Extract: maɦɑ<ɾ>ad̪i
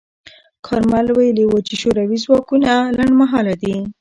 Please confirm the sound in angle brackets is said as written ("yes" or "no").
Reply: no